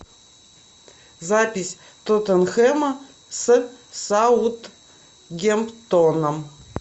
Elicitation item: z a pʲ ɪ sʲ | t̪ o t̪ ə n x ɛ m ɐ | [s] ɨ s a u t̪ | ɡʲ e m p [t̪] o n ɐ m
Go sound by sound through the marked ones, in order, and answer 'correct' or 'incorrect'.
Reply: correct, correct

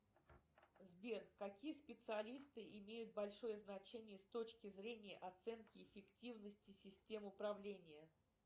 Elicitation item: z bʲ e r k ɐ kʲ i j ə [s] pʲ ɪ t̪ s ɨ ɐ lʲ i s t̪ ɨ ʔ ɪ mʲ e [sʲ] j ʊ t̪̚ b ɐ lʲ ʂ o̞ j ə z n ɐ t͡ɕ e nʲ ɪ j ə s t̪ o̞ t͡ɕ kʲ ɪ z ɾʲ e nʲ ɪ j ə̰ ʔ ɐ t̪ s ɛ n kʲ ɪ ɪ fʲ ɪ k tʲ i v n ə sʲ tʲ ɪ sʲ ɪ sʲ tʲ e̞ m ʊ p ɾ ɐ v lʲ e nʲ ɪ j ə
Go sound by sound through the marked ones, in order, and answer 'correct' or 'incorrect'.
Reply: correct, incorrect: none

